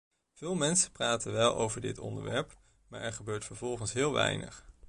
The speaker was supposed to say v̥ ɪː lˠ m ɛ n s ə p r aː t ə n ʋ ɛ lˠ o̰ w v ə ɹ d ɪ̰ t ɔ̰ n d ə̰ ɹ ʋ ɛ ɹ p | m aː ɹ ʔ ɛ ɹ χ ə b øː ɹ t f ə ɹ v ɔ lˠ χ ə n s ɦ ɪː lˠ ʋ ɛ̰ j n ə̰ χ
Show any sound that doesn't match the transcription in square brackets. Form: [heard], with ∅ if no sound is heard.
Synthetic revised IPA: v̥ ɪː lˠ m ɛ n s ə p r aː t ə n ʋ ɛ lˠ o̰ w v ə ɹ d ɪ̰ t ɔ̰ n d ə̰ ɹ ʋ ɛ ɹ p | m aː ɹ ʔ ɛ ɹ χ ə b øː ɹ t f ə ɹ v ɔ lˠ χ ə n s ɦ ɪː lˠ ʋ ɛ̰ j n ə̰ χ